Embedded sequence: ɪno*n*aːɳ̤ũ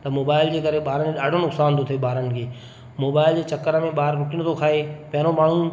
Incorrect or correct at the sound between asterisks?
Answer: incorrect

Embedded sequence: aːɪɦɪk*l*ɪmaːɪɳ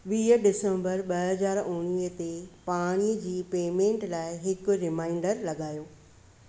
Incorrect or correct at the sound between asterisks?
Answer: incorrect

